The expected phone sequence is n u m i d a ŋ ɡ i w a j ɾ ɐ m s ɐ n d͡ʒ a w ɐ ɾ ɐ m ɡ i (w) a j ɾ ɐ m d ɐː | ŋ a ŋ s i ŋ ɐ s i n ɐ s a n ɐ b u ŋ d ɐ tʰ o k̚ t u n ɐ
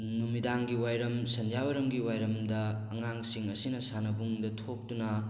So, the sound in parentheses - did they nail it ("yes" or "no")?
yes